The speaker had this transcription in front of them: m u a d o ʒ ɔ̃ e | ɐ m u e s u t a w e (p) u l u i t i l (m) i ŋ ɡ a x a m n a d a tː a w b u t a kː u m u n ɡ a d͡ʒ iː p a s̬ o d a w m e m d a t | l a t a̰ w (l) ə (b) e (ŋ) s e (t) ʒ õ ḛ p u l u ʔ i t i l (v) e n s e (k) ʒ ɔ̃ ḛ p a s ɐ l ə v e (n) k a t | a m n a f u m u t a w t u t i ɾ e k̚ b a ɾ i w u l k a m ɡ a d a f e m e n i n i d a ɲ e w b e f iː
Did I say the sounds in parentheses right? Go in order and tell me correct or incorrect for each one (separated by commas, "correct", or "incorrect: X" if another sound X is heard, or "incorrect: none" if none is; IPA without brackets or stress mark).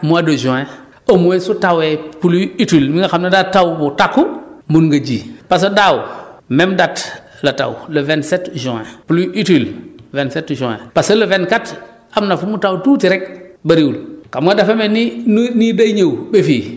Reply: correct, correct, correct, incorrect: v, incorrect: n, correct, correct, incorrect: t, correct